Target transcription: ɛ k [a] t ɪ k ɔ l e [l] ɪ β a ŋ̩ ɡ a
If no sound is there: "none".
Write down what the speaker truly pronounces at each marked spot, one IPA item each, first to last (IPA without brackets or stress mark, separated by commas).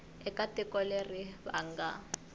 a, r